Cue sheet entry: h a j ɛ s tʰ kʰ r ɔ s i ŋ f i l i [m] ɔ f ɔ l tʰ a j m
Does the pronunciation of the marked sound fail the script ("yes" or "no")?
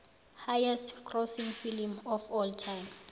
no